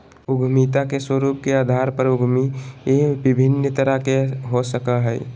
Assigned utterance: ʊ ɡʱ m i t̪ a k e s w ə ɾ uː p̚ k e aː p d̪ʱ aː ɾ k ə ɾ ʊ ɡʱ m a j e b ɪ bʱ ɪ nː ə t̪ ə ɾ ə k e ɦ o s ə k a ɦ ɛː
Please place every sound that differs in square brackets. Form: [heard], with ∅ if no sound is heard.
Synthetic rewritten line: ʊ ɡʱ m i t̪ a k e s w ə ɾ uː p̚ k e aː [∅] d̪ʱ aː ɾ [p] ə ɾ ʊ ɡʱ m [i] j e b ɪ bʱ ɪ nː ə t̪ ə ɾ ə k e ɦ o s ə k a ɦ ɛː